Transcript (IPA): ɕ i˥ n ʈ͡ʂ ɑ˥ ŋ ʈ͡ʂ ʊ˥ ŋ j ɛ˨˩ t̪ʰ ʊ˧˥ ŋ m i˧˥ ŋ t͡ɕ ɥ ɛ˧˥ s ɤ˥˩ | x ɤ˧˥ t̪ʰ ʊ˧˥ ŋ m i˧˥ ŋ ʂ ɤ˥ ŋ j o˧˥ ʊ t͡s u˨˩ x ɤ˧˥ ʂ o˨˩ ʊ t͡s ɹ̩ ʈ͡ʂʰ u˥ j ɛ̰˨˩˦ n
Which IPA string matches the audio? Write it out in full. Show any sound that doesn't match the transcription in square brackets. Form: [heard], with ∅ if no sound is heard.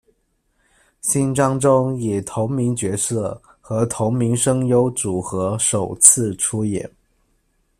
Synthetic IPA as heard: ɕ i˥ n ʈ͡ʂ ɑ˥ ŋ ʈ͡ʂ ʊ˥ ŋ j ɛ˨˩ t̪ʰ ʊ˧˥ ŋ m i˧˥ ŋ t͡ɕ ɥ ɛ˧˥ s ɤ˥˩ | x ɤ˧˥ t̪ʰ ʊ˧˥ ŋ m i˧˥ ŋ ʂ ɤ˥ ŋ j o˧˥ ʊ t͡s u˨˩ x ɤ˧˥ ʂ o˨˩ ʊ [t͡sʰ] ɹ̩ ʈ͡ʂʰ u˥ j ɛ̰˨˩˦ n